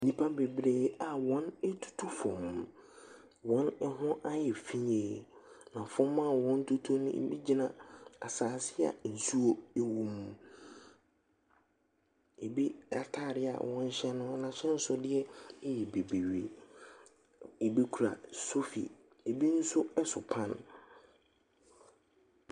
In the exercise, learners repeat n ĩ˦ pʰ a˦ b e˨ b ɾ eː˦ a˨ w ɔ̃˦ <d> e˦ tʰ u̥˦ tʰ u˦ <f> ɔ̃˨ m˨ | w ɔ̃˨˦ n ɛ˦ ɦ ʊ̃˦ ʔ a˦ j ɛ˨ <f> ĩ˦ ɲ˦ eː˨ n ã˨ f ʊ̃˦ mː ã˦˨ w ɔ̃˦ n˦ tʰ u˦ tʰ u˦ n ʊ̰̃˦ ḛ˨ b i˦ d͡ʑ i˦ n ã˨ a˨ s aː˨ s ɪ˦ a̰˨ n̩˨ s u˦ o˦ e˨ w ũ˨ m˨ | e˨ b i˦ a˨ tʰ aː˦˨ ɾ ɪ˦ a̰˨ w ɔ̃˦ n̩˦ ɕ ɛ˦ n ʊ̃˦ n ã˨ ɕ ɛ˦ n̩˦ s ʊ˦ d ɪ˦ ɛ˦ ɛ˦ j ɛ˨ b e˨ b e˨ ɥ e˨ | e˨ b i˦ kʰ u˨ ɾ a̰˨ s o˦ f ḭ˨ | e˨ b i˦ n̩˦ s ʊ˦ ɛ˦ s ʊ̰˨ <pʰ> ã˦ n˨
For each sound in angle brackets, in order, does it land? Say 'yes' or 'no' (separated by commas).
no, yes, yes, yes